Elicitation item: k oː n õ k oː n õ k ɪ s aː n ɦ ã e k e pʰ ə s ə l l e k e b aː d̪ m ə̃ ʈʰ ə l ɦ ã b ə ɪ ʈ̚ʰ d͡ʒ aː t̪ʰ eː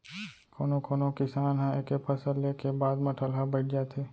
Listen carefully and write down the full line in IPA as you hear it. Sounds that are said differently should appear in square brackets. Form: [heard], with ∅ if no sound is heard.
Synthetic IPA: k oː n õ k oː n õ k ɪ s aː n ɦ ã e k e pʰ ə s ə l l e k e b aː d̪ m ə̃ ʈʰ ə l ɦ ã b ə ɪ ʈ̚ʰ d͡ʒ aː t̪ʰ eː